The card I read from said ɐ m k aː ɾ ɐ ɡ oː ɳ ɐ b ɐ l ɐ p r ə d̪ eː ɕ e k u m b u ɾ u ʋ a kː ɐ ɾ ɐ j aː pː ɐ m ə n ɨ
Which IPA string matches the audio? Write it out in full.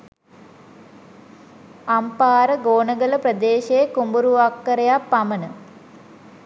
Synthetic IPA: ɐ m p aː ɾ ɐ ɡ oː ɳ ɐ ɡ ɐ l ɐ p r ɐ d̪ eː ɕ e k u m b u ɾ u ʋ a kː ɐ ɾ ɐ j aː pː ɐ m ɐ n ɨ